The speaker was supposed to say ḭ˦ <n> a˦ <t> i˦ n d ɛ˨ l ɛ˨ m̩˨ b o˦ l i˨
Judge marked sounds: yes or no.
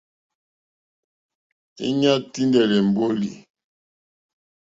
no, yes

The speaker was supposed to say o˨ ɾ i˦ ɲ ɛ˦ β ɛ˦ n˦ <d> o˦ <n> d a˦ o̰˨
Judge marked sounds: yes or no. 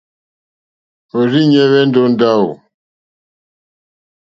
yes, yes

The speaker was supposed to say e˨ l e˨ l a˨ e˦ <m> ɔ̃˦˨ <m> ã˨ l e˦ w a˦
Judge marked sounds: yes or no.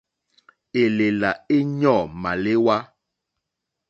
no, yes

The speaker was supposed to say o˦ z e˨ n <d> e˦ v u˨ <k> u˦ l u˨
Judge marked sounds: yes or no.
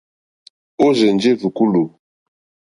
no, yes

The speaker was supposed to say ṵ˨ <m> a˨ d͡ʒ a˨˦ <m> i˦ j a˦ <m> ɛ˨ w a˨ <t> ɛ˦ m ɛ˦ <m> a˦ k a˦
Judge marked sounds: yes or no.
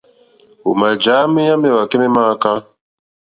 yes, yes, yes, no, yes

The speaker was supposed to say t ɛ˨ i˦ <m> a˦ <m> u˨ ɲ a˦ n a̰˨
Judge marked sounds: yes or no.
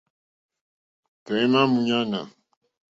yes, yes

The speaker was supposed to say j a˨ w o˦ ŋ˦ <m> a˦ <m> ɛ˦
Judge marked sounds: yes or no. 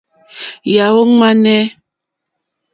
yes, no

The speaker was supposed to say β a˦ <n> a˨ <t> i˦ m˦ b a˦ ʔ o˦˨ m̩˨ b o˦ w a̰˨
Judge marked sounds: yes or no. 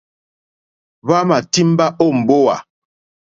no, yes

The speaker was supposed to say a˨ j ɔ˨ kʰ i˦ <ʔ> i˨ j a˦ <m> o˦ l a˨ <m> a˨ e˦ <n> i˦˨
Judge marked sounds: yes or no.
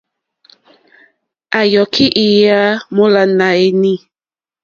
yes, yes, no, yes

